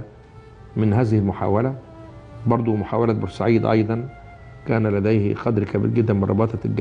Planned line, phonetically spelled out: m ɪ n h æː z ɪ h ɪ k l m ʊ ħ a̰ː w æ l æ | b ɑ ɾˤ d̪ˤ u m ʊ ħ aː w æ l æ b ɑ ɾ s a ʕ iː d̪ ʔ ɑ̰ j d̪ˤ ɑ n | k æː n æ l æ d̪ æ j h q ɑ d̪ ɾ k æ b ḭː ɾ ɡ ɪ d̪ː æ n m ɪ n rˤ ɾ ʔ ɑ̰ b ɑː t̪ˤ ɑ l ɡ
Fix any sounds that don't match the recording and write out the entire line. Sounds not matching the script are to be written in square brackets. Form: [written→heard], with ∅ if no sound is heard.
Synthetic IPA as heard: m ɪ n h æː z ɪ h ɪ [k→∅] l m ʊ ħ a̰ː w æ l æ | b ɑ ɾˤ d̪ˤ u m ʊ ħ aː w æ l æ b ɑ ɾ s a ʕ iː d̪ ʔ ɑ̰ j d̪ˤ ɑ n | k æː n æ l æ d̪ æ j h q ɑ d̪ ɾ k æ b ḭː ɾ ɡ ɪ d̪ː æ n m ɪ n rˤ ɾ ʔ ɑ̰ b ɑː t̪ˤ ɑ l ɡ